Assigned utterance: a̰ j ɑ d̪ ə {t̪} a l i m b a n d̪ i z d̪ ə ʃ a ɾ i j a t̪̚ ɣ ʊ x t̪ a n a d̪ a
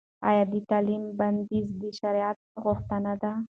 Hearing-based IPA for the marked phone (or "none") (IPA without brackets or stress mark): t̪